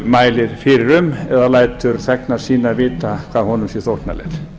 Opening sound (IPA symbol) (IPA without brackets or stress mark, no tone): m